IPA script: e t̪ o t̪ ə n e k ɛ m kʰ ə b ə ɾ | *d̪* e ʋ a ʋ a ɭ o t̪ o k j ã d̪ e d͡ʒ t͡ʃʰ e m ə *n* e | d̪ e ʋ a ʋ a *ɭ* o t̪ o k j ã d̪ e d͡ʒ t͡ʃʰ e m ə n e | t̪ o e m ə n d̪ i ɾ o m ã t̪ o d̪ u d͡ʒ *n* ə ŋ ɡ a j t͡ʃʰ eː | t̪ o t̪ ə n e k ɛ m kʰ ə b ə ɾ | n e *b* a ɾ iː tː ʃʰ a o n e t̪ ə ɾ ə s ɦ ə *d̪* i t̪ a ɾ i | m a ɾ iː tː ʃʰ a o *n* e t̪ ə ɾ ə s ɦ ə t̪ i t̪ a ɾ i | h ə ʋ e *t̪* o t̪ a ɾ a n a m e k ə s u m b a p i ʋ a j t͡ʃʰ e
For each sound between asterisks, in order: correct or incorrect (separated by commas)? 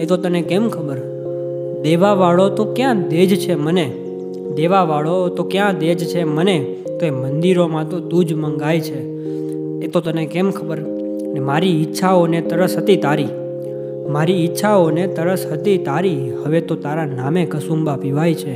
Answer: correct, correct, correct, incorrect, incorrect, incorrect, correct, correct